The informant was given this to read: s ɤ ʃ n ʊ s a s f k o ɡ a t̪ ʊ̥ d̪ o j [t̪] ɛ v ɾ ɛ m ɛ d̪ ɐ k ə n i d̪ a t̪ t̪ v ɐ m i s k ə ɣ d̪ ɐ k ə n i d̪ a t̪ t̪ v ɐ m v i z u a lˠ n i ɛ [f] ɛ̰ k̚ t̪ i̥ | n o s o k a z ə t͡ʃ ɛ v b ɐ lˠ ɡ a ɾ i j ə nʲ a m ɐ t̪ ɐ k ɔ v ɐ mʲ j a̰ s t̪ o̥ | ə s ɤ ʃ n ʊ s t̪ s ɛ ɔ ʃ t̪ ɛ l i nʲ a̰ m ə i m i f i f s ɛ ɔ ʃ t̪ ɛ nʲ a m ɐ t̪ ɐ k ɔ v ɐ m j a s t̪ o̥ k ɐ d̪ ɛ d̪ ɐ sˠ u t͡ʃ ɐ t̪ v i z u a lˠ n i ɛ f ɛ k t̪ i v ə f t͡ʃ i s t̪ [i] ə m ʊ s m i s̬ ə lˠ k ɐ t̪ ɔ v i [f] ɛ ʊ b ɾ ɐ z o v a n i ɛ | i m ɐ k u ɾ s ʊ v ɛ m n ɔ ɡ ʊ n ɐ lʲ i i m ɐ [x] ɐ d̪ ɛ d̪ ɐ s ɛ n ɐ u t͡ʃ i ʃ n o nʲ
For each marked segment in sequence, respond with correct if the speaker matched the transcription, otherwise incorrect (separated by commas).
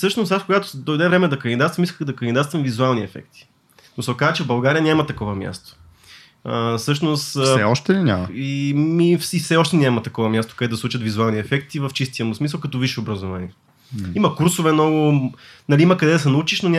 incorrect, correct, correct, incorrect, incorrect